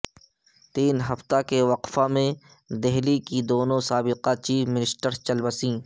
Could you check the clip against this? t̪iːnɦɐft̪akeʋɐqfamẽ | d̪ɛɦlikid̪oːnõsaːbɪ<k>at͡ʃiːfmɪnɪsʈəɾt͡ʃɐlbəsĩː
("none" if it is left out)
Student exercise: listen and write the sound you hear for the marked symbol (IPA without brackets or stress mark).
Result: q